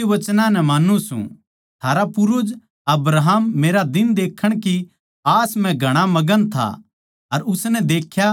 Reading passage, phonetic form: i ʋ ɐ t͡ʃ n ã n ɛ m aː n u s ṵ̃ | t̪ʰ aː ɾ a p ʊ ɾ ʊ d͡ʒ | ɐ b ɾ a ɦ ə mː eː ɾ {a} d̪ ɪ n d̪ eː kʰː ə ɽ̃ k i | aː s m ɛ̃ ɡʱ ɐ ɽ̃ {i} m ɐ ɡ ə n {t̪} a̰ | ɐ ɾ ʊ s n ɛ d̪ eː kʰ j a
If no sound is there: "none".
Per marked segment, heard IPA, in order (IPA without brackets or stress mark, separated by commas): a, a, t̪ʰ